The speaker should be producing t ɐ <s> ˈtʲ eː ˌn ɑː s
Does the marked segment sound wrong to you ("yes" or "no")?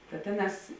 yes